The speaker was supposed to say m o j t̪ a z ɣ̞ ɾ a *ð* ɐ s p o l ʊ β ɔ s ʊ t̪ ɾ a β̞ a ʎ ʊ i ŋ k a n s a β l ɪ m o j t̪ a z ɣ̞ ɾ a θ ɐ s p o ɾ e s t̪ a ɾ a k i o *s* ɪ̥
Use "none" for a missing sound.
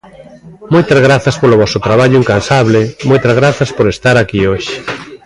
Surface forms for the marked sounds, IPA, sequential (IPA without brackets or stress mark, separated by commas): θ, ʃ